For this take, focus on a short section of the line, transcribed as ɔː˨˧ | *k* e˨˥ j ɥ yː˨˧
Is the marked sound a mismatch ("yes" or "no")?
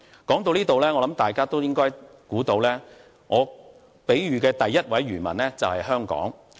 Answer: yes